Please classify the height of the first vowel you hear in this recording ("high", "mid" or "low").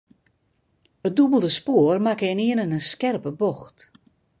mid